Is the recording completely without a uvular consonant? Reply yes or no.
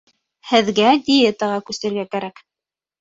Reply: no